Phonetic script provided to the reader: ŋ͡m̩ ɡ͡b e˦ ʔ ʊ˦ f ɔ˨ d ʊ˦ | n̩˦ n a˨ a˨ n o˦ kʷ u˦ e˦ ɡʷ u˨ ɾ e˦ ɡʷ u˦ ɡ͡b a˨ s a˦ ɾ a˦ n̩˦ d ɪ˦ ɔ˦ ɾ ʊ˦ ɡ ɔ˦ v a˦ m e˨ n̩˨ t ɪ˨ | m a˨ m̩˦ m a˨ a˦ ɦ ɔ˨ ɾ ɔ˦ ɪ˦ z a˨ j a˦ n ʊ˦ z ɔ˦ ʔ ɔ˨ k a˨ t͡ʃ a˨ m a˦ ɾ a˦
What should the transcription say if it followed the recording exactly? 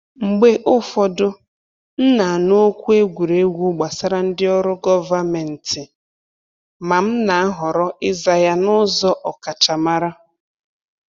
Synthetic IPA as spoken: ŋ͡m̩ ɡ͡b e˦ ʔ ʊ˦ f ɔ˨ d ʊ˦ | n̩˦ n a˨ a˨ n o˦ kʷ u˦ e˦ ɡʷ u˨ ɾ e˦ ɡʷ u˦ ɡ͡b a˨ s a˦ ɾ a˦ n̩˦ d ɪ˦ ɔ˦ ɾ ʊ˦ ɡ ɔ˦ v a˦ m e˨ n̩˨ t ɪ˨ | m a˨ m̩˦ n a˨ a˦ ɦ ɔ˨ ɾ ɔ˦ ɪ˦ z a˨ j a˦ n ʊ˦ z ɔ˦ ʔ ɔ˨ k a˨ t͡ʃ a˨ m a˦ ɾ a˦

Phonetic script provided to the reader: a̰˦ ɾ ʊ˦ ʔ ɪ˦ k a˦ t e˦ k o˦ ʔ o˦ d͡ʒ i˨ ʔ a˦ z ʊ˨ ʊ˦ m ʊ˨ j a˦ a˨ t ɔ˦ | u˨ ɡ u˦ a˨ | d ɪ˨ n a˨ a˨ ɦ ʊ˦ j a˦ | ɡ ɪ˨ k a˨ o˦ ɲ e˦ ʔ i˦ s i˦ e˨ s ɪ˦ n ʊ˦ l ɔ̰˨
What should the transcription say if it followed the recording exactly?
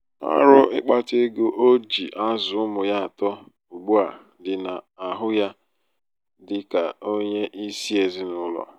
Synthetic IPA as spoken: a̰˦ ɾ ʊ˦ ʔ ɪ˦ k͡p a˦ t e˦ ɡ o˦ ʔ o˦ d͡ʒ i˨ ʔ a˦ z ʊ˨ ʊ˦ m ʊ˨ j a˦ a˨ t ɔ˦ | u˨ ɡ͡b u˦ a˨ | d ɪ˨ n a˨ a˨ ɦ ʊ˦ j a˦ | d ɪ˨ k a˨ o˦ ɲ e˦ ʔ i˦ s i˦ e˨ z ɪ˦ n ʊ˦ l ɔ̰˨

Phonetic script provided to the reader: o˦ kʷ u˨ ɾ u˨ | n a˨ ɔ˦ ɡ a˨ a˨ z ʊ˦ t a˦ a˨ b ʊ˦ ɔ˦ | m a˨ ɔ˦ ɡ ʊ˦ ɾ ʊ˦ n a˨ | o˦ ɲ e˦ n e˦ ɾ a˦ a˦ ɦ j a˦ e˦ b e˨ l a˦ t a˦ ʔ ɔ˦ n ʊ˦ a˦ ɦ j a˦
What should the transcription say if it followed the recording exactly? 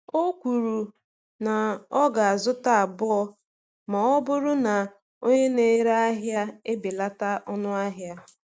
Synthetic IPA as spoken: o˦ kʷ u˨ ɾ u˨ | n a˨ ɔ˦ ɡ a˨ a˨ z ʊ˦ t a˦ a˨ b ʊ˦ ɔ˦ | m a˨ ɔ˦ b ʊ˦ ɾ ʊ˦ n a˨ | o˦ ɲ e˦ n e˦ ɾ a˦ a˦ ɦ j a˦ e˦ b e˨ l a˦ t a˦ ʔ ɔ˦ n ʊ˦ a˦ ɦ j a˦

